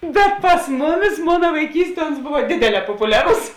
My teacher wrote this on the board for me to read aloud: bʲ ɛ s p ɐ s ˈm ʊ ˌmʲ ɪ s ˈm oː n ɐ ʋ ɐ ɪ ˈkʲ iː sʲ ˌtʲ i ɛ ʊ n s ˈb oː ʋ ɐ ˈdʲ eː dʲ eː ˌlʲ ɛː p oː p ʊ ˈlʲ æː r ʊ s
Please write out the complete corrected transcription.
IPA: bʲ ɛ t p ɐ s ˈm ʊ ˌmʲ ɪ s ˈm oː n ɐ ʋ ɐ ɪ ˈkʲ iː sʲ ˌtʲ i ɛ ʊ n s ˈb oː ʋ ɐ ˈdʲ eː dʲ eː ˌlʲ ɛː p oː p ʊ ˈlʲ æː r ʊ s